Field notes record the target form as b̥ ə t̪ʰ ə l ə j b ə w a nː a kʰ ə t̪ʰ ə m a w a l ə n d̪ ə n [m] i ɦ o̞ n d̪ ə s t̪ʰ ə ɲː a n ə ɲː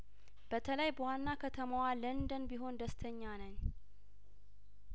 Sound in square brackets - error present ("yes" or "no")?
yes